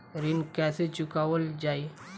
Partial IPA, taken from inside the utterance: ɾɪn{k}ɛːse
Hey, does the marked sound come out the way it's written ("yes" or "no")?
yes